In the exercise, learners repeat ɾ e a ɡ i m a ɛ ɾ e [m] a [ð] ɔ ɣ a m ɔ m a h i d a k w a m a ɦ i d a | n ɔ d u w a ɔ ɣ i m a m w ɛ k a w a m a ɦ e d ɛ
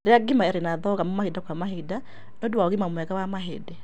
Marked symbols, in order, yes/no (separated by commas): no, yes